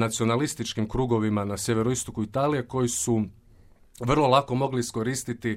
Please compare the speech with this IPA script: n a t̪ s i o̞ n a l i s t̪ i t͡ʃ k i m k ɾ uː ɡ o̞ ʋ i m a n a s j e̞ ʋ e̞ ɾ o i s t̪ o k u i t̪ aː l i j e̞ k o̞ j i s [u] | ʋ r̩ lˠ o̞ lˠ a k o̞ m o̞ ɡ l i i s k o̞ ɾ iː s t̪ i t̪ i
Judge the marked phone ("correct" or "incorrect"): correct